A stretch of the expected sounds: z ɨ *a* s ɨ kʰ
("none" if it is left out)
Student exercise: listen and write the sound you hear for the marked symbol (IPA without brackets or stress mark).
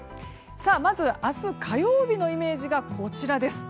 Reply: a